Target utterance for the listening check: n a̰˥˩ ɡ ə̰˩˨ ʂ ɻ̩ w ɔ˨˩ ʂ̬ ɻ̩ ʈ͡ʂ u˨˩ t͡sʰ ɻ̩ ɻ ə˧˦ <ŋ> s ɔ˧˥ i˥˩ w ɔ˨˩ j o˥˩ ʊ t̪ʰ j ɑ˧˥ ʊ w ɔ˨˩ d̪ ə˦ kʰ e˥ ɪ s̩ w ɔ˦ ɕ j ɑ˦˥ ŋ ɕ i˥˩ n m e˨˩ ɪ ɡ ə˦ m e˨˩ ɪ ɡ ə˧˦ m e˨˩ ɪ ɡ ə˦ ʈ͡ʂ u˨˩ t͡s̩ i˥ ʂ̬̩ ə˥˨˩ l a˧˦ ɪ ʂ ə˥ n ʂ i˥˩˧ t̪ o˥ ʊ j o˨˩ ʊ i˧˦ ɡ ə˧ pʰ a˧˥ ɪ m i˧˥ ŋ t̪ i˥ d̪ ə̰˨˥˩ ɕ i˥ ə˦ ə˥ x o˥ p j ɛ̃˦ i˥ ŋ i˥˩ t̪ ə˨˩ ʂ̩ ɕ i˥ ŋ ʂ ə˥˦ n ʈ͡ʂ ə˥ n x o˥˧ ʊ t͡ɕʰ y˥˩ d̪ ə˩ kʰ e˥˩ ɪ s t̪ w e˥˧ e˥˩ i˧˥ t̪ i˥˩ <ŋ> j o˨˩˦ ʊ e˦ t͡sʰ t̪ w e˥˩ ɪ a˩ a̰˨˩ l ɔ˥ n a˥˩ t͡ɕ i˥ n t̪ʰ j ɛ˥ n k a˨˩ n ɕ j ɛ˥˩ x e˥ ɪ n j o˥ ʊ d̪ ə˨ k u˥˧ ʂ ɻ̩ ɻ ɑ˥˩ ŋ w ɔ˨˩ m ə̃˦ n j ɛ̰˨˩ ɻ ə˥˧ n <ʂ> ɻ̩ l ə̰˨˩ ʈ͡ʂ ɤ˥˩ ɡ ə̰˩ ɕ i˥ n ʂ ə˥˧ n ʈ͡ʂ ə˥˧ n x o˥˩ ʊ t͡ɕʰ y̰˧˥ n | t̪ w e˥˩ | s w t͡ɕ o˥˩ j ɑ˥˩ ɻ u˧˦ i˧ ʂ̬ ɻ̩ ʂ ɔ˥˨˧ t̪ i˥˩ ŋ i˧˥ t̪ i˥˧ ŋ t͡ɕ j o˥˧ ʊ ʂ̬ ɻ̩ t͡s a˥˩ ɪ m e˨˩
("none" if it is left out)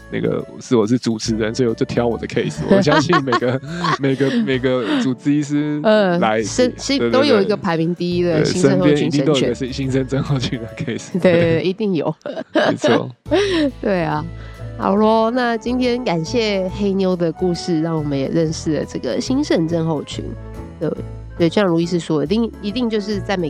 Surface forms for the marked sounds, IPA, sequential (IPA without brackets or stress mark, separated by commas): n, ŋ, ʂ